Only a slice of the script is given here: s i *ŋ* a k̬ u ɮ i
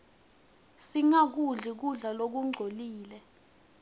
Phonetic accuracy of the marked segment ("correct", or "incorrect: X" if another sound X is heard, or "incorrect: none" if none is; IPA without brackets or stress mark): correct